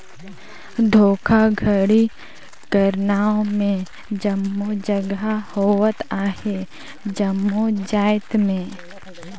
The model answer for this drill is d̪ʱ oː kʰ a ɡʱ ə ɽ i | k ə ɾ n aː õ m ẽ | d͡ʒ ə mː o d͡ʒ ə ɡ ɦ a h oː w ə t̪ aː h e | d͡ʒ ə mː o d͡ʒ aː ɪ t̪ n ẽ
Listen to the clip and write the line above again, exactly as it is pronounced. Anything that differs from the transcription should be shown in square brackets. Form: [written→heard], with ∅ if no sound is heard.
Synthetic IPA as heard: d̪ʱ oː kʰ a ɡʱ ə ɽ i | k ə ɾ n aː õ m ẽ | d͡ʒ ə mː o d͡ʒ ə ɡ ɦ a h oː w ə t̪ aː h e | d͡ʒ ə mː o d͡ʒ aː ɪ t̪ [n→m] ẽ